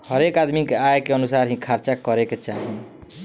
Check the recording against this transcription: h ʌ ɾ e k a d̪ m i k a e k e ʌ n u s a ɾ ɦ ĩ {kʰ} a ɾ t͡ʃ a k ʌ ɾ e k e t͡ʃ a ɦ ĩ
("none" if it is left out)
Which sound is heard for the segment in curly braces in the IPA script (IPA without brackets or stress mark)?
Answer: kʰ